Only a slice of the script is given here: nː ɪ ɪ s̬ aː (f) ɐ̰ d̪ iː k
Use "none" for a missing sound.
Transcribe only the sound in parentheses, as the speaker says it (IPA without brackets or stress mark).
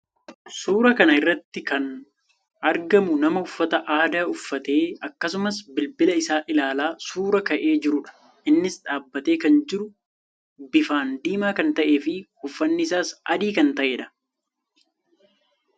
s